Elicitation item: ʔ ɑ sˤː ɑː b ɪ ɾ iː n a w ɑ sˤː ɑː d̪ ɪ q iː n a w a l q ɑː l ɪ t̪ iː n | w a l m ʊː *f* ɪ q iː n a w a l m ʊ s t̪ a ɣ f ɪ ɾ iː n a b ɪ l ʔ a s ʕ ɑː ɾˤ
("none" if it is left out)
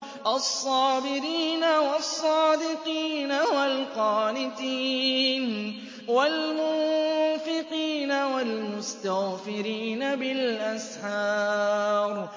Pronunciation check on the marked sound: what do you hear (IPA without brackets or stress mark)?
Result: f